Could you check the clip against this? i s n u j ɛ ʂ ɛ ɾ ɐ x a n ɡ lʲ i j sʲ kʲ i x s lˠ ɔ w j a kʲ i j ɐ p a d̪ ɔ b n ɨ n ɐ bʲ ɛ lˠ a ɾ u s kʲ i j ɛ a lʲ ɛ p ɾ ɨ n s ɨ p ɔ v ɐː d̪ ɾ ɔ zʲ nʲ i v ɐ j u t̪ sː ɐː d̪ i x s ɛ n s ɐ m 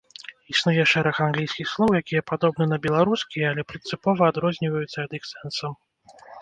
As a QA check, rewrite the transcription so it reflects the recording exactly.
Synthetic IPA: i s n u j ɛ ʂ ɛ ɾ ɐ x a n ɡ lʲ i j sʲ kʲ i x s lˠ ɔ w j a kʲ i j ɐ p a d̪ ɔ b n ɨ n ɐ bʲ ɛ lˠ a ɾ u s kʲ i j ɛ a lʲ ɛ p ɾ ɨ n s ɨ p ɔ v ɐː d̪ ɾ ɔ zʲ nʲ i v ɐ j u t̪ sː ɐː d̪ i x s ɛ n s ɐ m